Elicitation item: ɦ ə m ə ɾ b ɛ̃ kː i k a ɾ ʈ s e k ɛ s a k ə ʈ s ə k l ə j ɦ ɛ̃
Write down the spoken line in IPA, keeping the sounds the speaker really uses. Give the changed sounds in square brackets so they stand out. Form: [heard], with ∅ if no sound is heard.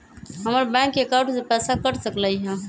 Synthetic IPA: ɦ ə m ə ɾ b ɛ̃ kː [e] k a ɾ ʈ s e [p] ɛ s a k ə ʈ s ə k l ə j ɦ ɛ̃